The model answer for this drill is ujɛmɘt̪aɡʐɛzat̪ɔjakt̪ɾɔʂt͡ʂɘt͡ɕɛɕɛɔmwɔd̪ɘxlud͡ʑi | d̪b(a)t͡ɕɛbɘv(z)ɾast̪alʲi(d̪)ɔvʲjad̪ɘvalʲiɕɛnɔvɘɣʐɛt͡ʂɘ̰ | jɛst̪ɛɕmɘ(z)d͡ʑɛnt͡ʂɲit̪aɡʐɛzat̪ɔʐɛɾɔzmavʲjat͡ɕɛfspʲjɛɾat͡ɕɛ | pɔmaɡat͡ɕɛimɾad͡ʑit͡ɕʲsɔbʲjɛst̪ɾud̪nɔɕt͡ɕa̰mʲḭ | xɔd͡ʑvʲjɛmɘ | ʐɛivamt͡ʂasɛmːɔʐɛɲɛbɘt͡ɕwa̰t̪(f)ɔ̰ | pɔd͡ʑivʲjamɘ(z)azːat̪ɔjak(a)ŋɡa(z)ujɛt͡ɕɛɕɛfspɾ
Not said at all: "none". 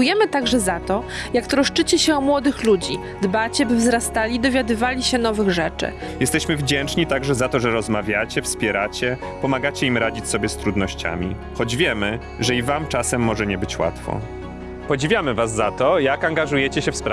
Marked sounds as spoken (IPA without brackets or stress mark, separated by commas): a, z, d̪, v, f, v, a, ʐ